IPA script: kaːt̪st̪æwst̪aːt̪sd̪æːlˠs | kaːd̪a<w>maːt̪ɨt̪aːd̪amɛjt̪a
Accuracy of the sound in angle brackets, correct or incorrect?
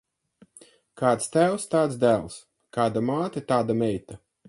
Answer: incorrect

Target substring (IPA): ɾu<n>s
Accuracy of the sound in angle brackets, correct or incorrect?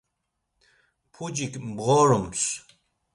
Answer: incorrect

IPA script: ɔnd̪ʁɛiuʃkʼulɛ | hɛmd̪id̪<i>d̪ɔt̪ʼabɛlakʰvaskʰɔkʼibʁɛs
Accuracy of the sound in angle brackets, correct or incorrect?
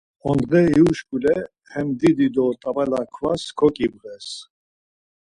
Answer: correct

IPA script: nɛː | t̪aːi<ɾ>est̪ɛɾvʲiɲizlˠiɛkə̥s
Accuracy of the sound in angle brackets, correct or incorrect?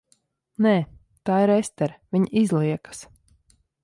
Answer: correct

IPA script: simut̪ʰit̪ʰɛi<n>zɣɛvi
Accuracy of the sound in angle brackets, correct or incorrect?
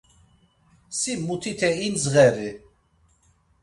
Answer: correct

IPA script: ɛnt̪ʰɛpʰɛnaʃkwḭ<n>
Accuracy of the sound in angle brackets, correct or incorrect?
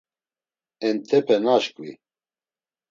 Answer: incorrect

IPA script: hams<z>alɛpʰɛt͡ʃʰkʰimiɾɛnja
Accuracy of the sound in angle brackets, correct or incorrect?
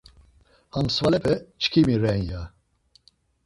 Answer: incorrect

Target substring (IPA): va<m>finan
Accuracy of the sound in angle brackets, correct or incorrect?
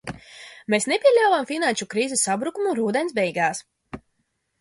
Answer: correct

